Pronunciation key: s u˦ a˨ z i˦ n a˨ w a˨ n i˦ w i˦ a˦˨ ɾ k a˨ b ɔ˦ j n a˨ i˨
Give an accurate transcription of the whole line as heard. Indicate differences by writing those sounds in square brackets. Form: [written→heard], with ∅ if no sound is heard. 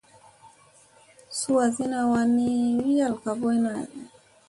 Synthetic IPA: s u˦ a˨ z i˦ n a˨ w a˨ n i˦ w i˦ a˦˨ [ɾ→l] k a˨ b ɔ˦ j n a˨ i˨

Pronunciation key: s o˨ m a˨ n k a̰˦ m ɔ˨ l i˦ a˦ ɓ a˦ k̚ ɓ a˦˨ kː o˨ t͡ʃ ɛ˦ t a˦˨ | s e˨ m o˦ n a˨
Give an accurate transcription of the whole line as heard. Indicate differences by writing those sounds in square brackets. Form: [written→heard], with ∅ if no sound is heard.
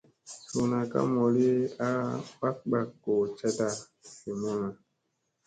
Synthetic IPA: s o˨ [m→n] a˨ [n→∅] k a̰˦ m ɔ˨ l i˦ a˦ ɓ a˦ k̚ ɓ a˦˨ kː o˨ t͡ʃ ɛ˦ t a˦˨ | s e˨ m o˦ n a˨

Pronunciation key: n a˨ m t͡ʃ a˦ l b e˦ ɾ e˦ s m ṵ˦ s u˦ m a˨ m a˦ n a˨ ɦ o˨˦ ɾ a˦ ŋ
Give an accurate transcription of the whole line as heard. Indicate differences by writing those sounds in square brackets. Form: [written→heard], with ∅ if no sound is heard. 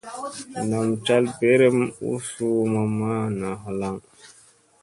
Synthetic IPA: n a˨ m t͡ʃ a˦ l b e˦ ɾ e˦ [s→∅] m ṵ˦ s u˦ m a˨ m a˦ n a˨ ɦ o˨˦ [ɾ→l] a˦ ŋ

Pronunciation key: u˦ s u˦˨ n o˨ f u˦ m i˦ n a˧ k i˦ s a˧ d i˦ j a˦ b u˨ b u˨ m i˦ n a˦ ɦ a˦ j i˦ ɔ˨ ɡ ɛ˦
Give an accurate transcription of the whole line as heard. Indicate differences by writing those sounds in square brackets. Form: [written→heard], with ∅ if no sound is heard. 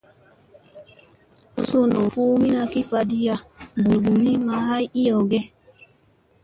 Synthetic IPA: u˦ s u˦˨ n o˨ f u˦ m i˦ n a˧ k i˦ [s→f] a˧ d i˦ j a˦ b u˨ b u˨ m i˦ [n→m] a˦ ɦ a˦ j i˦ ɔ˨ ɡ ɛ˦

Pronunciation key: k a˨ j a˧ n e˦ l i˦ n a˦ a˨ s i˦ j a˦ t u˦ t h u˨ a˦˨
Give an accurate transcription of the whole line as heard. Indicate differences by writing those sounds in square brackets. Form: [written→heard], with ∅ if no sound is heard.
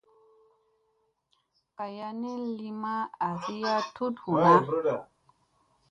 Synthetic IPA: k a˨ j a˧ n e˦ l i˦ [n→m] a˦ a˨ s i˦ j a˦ t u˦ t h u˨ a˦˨

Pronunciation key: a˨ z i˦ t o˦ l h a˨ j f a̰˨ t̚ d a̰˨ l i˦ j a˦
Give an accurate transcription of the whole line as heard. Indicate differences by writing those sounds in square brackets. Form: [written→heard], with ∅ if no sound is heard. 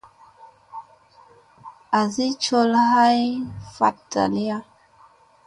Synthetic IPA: a˨ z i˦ [t→t͡ʃ] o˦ l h [a˨→a˦] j f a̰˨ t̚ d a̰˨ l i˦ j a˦

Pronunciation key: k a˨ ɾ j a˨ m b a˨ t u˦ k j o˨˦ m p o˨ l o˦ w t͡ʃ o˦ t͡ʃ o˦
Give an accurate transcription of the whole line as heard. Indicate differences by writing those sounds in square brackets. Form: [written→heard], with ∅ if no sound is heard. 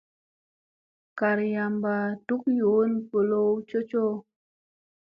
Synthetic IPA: k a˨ ɾ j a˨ m b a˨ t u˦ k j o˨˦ [m→n] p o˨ l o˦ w t͡ʃ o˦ t͡ʃ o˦

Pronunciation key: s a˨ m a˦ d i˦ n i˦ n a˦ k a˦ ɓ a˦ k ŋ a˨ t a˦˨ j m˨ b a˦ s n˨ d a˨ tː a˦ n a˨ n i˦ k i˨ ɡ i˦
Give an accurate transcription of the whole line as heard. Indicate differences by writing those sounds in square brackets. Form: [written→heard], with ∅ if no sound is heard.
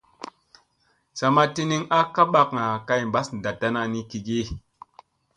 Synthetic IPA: s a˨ m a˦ [d→t] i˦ n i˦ [n→ŋ] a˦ k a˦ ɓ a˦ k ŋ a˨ [t→k] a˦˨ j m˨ b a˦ s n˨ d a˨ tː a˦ n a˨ n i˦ k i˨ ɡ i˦

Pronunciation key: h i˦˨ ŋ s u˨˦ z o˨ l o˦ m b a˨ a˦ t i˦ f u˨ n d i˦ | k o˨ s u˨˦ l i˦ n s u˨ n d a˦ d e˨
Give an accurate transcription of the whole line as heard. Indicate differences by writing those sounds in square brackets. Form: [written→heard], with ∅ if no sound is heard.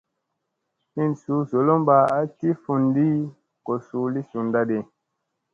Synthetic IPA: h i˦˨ [ŋ→n] s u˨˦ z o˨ l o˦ m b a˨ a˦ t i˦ f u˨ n d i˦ | k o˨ s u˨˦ l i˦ [n→∅] s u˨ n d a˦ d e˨

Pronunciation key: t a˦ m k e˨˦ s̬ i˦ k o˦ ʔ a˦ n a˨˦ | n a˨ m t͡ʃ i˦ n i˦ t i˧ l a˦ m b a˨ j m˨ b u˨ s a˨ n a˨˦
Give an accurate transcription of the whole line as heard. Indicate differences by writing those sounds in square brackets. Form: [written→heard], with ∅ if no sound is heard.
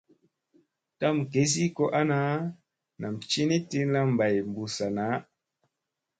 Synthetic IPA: t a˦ m k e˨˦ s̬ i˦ k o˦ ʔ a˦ n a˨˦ | n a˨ m t͡ʃ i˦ n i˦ t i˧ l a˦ m b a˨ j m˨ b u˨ s a˨ n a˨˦

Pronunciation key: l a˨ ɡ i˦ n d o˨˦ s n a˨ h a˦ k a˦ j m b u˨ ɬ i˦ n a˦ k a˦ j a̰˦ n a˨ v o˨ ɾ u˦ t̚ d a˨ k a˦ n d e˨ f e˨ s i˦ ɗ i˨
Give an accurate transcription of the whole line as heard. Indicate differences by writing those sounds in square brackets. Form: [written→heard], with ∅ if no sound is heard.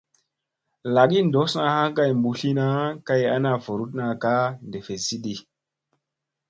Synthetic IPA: l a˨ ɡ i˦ n d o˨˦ s n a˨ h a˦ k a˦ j m b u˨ ɬ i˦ n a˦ k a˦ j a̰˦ n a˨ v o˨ ɾ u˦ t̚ [d→n] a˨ k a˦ n d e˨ f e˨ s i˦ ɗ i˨

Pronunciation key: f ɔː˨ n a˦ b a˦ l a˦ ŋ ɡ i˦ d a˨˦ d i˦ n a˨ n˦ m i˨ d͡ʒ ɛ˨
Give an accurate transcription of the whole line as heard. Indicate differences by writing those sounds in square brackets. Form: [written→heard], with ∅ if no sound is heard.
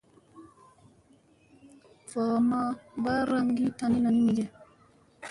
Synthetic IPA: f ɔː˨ [n→m] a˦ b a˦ [l→ɾ] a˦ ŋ ɡ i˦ [d→t] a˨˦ [d→n] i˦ n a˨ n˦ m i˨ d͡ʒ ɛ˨

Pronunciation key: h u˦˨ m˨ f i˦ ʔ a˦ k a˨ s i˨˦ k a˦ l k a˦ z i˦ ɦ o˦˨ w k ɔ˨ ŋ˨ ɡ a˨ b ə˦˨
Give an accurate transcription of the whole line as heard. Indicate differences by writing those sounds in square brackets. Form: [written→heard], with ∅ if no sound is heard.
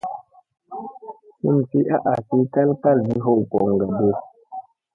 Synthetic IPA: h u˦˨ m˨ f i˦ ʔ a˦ [k→ʔ] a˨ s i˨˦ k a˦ l k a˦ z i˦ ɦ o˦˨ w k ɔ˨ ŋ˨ ɡ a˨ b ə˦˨

